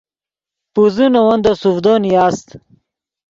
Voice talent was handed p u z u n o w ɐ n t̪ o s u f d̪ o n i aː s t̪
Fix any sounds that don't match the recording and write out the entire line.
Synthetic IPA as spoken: p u z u n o w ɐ n d̪ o s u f d̪ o n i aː s t̪